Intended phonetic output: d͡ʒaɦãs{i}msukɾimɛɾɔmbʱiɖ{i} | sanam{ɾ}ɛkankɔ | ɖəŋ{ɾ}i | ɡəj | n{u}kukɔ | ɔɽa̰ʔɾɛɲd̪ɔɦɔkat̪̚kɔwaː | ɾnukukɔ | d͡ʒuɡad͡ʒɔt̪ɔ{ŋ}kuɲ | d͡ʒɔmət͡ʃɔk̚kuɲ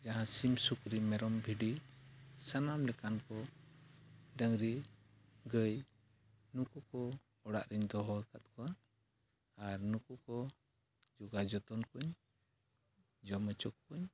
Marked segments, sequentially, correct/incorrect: correct, correct, incorrect: l, correct, correct, incorrect: n

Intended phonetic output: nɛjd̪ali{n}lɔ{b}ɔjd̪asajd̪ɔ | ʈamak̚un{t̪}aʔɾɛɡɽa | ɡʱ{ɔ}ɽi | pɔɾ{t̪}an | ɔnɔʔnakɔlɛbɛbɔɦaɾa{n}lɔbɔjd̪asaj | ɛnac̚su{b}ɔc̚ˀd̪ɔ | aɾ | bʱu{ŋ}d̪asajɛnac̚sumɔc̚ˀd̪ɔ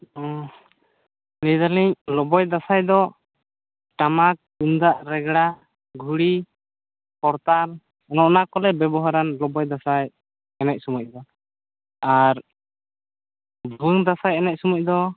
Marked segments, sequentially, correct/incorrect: incorrect: ɲ, correct, incorrect: d̪, incorrect: u, correct, correct, incorrect: m, correct

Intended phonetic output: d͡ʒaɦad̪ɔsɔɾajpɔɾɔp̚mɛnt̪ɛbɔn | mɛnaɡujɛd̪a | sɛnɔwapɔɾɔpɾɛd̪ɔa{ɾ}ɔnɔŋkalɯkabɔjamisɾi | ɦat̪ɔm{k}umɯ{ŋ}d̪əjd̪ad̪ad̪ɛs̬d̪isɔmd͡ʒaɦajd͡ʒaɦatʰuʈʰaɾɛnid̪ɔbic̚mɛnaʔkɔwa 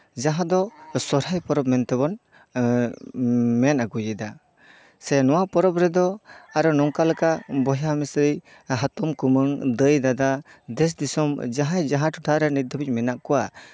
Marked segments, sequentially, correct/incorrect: correct, correct, correct

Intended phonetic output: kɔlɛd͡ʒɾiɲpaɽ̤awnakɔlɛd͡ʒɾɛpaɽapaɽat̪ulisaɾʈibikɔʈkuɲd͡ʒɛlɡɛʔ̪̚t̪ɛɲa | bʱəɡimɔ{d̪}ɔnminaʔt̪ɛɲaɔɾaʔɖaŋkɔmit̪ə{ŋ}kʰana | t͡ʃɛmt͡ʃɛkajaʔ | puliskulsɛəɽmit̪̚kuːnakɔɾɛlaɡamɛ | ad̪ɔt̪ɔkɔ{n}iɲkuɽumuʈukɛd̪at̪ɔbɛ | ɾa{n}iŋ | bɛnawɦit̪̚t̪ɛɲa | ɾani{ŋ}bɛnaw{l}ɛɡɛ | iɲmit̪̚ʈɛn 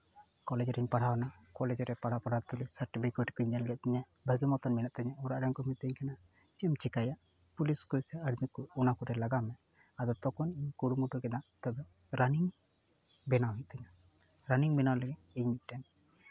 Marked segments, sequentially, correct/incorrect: incorrect: t̪, incorrect: ɲ, correct, correct, correct, correct

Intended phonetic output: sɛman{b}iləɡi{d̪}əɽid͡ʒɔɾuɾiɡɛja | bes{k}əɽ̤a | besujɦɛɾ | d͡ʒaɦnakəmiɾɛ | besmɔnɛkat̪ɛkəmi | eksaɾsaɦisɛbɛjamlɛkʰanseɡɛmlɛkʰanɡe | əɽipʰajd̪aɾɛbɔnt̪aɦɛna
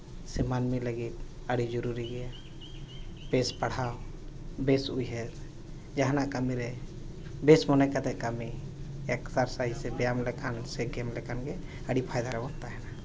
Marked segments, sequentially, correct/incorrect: incorrect: m, incorrect: t̪, incorrect: p

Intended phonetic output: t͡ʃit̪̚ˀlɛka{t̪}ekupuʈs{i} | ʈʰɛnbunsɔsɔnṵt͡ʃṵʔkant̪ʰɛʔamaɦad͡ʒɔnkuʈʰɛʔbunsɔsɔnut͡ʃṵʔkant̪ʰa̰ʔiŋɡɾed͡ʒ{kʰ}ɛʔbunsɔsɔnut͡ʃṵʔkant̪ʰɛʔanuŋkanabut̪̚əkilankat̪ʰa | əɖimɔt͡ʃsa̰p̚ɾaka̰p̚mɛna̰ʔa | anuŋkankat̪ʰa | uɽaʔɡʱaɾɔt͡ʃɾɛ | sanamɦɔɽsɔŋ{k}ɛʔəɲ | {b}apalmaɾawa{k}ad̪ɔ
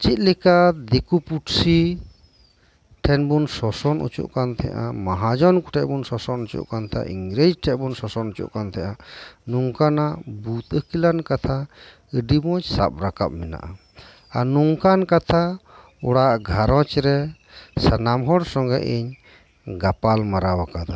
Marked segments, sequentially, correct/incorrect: incorrect: d̪, correct, incorrect: ʈʰ, incorrect: ɡ, incorrect: ɡ, correct

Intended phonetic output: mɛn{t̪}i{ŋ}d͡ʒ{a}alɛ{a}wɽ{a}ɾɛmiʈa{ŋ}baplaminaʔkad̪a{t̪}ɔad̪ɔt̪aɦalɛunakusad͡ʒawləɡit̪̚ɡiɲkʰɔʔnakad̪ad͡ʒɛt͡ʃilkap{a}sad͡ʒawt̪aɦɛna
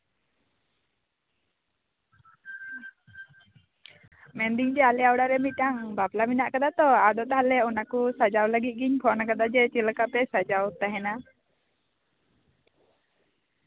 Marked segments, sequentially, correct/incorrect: incorrect: d̪, correct, incorrect: ɛ, correct, correct, correct, correct, incorrect: ɛ

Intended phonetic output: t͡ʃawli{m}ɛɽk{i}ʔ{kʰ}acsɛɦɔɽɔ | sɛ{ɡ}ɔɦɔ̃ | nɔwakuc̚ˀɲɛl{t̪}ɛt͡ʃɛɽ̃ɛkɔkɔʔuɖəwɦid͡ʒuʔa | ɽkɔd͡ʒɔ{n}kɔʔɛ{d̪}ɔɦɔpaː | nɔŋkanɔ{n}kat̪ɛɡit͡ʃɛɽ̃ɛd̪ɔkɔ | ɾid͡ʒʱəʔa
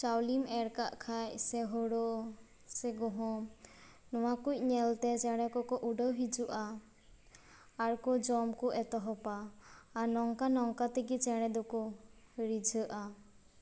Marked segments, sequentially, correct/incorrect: correct, incorrect: a, correct, correct, correct, incorrect: m, incorrect: t̪, incorrect: ŋ

